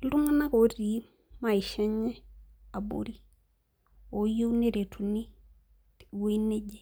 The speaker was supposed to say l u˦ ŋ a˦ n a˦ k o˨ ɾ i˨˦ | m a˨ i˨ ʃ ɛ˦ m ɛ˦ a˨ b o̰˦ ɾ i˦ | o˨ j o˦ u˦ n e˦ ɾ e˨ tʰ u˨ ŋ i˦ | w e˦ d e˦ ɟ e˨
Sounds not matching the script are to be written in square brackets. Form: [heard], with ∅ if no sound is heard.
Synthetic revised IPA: l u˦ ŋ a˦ n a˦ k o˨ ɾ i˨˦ | m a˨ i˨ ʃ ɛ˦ [ɲ] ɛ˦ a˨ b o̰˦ ɾ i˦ | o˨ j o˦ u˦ n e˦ ɾ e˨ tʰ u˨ [n] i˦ | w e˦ [n] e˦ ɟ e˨